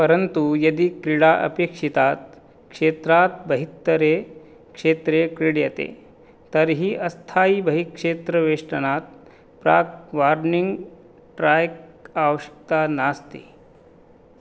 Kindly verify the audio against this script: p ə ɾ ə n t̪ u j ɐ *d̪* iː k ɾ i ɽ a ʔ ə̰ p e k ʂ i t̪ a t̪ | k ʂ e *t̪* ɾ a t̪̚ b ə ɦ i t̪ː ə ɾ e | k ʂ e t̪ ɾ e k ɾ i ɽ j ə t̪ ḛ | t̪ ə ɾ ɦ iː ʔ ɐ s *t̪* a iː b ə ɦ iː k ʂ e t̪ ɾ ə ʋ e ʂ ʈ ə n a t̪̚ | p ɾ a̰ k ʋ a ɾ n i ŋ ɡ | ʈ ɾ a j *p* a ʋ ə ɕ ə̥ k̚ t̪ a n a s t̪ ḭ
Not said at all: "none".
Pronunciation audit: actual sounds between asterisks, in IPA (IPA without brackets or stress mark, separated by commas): d̪, t̪, t̪ʰ, k